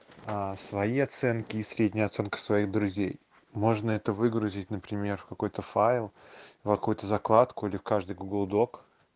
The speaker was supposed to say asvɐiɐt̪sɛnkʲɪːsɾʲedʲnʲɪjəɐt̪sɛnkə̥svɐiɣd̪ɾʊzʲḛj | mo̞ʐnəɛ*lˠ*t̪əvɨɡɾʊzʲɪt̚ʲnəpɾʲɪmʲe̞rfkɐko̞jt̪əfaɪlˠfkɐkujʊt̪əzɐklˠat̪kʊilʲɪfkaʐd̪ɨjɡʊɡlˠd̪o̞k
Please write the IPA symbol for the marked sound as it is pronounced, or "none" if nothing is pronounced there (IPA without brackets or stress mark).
none